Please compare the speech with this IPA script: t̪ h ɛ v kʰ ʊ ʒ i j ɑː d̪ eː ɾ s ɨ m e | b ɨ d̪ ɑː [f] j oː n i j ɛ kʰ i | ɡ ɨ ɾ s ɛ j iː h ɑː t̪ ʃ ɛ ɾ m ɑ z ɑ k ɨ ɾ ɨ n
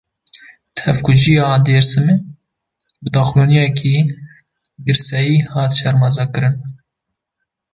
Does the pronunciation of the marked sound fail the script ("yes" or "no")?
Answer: yes